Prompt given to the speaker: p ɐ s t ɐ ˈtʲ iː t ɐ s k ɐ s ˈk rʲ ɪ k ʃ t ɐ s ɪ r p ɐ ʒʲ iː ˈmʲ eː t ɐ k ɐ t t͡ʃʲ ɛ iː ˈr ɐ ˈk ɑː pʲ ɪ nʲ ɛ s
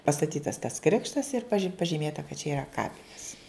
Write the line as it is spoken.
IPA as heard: p ɐ s t ɐ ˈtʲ iː t ɐ s t ɐ s ˈk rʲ ɪ k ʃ t ɐ s ɪ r p ɐ ʒʲ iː ˈmʲ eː t ɐ k ɐ t t͡ʃʲ ɛ iː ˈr ɐ ˈk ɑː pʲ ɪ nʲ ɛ s